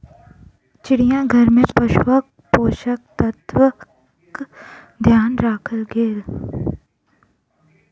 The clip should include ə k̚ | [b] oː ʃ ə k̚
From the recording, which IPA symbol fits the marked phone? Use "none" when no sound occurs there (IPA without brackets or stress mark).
p